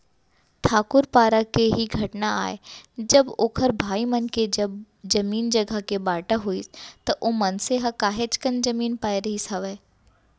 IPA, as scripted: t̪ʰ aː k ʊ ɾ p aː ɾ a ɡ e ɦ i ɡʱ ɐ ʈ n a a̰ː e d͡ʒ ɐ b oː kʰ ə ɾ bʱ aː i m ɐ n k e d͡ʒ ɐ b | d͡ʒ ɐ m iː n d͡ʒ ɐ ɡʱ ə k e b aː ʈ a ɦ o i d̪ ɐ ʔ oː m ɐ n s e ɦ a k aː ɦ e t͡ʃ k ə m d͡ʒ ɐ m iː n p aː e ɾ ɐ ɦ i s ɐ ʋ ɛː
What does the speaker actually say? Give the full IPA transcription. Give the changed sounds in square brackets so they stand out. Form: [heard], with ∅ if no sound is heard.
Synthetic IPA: t̪ʰ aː k ʊ ɾ p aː ɾ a [k] e ɦ i ɡʱ ɐ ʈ n a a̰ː e d͡ʒ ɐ b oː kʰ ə ɾ bʱ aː i m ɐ n k e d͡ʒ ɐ b | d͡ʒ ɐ m iː n d͡ʒ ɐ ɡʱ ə k e b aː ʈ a ɦ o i [t̪] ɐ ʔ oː m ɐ n s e ɦ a k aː ɦ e t͡ʃ k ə [n] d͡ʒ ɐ m iː n p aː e ɾ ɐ ɦ i s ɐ ʋ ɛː